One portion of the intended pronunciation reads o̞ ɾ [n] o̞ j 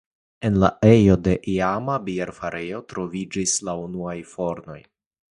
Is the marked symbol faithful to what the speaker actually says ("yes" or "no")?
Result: yes